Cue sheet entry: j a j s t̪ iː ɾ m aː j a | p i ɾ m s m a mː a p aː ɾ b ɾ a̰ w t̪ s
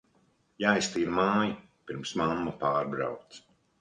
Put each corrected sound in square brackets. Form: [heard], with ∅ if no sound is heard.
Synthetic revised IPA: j a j s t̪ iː ɾ m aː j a | p i ɾ m s m a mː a p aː ɾ b ɾ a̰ w t̪ s